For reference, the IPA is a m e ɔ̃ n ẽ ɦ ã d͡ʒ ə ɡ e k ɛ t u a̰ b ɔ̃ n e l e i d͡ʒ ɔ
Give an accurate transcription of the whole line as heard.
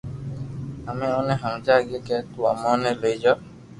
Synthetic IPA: a m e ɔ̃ n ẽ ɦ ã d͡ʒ a ɡ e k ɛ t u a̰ m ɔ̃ n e l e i d͡ʒ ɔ